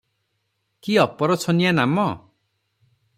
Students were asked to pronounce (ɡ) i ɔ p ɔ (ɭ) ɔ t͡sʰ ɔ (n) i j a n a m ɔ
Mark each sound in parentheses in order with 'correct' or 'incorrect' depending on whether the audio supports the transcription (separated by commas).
incorrect, incorrect, correct